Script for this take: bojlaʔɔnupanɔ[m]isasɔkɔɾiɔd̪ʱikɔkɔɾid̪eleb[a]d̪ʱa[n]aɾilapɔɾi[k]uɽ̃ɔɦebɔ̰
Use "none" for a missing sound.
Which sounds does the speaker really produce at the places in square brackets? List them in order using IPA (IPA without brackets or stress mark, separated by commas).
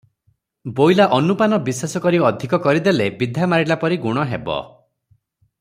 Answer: b, i, m, ɡ